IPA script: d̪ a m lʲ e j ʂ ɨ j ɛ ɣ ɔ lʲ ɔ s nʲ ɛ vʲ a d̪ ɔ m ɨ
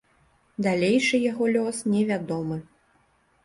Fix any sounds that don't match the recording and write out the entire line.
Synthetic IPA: d̪ a lʲ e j ʂ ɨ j a ɣ ɔ lʲ ɔ s nʲ ɛ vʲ a d̪ ɔ m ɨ